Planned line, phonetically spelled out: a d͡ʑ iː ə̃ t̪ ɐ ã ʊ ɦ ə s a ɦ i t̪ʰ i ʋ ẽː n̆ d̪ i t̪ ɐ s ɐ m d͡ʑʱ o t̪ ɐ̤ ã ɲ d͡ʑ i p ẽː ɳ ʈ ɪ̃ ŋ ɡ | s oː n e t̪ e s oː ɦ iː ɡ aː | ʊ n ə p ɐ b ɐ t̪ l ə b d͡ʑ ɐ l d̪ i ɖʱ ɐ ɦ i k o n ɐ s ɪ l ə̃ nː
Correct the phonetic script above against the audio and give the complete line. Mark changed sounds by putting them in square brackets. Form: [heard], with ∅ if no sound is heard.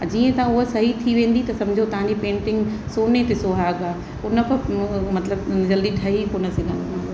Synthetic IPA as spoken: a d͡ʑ iː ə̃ t̪ ɐ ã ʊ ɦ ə s [ɐ] ɦ i t̪ʰ i ʋ ẽː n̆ d̪ i t̪ ɐ s ɐ m d͡ʑʱ o t̪ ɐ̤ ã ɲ d͡ʑ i p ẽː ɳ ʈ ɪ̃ ŋ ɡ | s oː n e t̪ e s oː ɦ [aː] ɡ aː | ʊ n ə p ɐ [m] ɐ t̪ l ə b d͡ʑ ɐ l d̪ i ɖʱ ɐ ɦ i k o n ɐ s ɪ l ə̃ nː